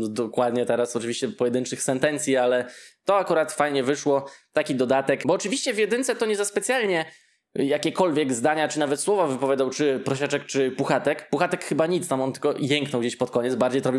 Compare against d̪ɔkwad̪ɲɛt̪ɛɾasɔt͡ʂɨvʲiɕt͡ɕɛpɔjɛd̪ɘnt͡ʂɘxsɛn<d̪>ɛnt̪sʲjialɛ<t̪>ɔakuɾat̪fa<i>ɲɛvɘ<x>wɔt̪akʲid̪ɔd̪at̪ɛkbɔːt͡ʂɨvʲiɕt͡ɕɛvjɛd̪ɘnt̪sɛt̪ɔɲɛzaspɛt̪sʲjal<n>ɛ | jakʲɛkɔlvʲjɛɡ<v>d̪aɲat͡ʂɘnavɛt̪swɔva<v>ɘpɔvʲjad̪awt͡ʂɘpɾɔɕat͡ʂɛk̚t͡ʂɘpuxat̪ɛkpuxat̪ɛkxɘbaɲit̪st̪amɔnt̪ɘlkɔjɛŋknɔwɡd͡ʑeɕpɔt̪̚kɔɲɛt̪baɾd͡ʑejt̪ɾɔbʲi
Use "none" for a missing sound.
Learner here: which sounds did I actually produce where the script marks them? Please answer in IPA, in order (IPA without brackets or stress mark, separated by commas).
t̪, t̪, j, ʂ, ɲ, z, v